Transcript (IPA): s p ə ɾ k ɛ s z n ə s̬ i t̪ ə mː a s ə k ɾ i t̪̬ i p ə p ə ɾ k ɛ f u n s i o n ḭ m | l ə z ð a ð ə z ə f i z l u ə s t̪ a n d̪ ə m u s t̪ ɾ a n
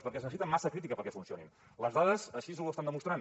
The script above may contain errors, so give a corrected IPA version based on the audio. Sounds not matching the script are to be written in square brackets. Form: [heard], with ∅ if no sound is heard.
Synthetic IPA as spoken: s p ə ɾ k ɛ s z n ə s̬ i t̪ ə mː a s ə k ɾ i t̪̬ i [k] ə p ə ɾ k ɛ f u n s i o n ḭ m | l ə z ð a ð ə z ə [ʃ] i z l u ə s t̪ a n d̪ ə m u s t̪ ɾ a n